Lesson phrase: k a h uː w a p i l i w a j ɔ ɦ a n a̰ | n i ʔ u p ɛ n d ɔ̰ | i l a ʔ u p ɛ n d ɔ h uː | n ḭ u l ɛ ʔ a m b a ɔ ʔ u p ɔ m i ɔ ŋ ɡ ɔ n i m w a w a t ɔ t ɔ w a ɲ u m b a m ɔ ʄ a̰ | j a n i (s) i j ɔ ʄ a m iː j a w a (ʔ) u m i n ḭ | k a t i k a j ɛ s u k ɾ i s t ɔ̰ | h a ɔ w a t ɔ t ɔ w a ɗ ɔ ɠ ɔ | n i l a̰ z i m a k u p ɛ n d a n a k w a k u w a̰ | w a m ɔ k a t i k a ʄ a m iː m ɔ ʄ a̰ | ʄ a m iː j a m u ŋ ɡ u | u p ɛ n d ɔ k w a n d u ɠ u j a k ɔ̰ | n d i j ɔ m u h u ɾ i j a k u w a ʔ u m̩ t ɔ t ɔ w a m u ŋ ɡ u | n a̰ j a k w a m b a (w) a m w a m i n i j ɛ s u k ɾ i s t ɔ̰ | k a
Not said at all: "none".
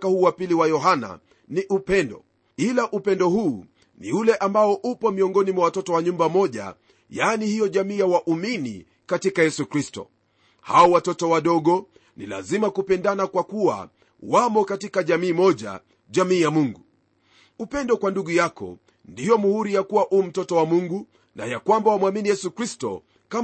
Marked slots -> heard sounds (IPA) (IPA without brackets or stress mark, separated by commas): h, ʔ, w